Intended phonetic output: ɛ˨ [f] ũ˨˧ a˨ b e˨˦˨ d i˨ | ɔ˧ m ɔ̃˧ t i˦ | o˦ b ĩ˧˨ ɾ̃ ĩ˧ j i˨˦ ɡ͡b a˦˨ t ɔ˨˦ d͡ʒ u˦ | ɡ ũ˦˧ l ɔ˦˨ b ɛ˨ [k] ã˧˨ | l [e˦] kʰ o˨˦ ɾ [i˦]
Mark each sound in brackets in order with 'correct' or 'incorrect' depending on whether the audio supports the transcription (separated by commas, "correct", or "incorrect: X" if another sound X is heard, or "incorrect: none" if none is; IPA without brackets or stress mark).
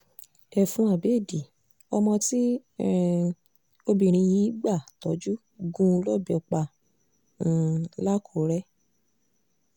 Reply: correct, incorrect: k͡p, incorrect: a˦, incorrect: ɛ˦